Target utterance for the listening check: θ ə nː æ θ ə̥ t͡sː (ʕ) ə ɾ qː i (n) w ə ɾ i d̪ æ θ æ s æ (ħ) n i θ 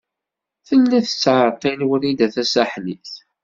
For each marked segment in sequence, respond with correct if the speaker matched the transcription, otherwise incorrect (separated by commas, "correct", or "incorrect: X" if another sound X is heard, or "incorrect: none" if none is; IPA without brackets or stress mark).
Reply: correct, correct, correct